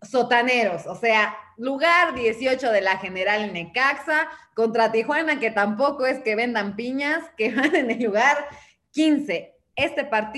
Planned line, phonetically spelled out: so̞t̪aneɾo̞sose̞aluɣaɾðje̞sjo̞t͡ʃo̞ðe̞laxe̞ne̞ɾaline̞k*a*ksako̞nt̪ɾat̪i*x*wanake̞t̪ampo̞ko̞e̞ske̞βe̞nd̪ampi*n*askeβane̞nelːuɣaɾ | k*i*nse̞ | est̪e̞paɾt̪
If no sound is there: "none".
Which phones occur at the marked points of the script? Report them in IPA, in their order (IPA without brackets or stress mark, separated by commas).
a, x, ɲ, i